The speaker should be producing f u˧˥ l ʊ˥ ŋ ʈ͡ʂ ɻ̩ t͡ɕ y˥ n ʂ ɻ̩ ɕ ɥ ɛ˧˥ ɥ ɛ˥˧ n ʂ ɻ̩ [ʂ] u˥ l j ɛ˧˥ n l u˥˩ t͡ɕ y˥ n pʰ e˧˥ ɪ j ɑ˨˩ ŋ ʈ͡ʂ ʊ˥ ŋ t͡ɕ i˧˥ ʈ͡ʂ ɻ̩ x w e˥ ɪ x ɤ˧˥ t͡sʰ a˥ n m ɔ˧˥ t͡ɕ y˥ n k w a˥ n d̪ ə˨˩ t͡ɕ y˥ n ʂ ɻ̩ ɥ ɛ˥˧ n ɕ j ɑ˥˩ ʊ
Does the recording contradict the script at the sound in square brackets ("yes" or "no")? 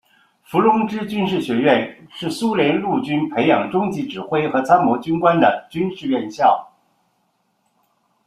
yes